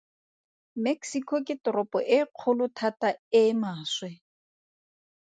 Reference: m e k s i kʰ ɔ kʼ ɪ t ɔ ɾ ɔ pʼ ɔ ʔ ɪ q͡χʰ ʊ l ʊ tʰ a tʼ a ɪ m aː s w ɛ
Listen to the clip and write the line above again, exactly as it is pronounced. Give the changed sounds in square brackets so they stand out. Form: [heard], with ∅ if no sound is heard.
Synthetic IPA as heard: m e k s i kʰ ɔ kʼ ɪ t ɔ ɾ ɔ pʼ ɔ ʔ ɪ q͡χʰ ʊ l ʊ tʰ a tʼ a ɪ m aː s w ɛ